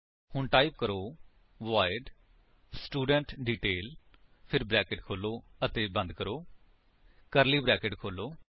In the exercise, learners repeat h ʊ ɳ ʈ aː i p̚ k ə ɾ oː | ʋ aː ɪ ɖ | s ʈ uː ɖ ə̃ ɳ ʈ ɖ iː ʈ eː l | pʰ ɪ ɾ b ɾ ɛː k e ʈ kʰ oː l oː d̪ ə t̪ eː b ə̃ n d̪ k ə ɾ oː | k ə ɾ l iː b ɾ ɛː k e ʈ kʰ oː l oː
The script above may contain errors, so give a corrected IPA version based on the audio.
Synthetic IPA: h ʊ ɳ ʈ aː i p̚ k ə ɾ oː | ʋ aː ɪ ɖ | s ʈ uː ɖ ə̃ ɳ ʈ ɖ iː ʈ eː l | pʰ ɪ ɾ b ɾ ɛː k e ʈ kʰ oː l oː ə t̪ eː b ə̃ n d̪ k ə ɾ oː | k ə ɾ l iː b ɾ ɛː k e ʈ kʰ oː l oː